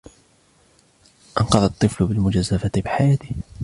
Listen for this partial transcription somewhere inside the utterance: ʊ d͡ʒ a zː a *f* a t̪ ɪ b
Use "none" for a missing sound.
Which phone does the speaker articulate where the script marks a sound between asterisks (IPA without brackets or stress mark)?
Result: f